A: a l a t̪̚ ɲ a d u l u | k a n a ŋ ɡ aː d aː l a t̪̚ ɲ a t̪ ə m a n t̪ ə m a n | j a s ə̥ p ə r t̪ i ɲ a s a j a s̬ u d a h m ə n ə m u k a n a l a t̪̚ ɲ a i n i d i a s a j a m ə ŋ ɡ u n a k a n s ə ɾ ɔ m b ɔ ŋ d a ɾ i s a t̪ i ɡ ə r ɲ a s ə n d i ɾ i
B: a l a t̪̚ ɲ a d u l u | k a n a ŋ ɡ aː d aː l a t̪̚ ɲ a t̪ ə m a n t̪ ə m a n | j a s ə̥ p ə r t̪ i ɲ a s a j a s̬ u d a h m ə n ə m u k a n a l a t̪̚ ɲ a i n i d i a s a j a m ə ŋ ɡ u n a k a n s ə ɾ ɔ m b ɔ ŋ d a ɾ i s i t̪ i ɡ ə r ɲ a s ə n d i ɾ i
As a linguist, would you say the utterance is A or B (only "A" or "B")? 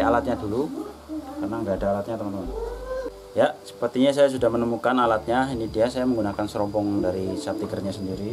A